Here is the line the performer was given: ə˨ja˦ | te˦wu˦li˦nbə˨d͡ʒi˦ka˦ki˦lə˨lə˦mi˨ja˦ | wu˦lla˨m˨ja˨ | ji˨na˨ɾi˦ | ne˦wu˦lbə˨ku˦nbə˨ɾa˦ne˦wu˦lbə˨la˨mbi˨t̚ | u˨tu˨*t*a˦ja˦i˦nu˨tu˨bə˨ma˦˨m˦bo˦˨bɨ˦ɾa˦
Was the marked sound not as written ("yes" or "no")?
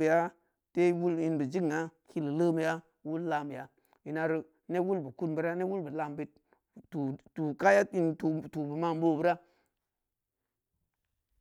yes